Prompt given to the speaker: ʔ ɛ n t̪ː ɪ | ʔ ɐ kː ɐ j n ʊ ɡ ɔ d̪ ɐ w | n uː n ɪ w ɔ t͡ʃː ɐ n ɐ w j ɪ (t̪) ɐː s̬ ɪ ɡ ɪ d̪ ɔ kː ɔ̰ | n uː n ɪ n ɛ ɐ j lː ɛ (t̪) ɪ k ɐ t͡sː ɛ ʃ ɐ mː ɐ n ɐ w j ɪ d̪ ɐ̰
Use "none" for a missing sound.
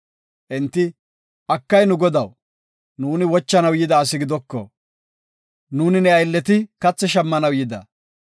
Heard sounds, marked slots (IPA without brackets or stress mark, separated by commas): d̪, t̪